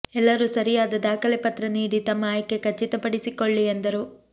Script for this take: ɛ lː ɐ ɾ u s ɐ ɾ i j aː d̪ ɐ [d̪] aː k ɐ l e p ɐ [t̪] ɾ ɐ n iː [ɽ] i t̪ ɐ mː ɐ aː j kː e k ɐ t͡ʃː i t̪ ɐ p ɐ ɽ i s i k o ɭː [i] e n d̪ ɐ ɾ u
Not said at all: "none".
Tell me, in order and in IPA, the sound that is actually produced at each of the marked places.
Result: d̪, t̪, ɽ, i

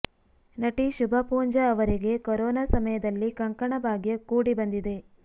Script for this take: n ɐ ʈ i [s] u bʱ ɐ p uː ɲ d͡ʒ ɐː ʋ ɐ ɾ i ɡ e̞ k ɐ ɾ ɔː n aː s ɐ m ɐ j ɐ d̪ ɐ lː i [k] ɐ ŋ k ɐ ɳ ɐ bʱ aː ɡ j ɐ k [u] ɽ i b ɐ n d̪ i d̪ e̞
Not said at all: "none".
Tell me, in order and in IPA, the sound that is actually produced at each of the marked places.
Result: ʃ, k, uː

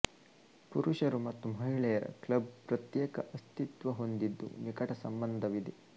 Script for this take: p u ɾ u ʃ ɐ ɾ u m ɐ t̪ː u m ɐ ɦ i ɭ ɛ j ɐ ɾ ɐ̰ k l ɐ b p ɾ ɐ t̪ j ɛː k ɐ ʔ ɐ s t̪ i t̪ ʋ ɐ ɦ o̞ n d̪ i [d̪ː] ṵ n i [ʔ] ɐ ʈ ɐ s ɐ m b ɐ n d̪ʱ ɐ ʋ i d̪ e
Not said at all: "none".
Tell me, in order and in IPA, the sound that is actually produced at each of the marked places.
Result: d̪ː, k

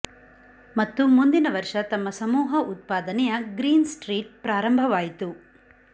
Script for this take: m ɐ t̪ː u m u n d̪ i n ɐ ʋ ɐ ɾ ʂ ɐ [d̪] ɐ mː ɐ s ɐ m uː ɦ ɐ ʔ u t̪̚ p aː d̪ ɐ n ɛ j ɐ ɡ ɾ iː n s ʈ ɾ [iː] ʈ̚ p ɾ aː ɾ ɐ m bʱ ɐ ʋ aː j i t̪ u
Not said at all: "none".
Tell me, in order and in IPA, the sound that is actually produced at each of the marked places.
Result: t̪, iː

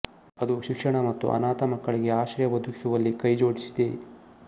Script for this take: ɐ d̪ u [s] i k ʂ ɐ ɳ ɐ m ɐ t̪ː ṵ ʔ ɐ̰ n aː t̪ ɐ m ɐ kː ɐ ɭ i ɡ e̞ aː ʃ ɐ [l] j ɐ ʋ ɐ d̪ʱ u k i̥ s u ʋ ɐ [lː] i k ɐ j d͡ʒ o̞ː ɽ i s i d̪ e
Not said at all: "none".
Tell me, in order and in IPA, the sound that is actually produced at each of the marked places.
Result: ʃ, ɾ, lː

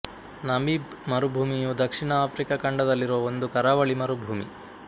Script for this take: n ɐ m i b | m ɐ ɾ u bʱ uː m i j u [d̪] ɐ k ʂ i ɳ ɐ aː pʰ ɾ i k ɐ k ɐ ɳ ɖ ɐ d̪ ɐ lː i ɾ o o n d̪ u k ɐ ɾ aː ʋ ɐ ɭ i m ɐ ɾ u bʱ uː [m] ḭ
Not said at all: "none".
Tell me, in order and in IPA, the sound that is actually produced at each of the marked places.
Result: d̪, m

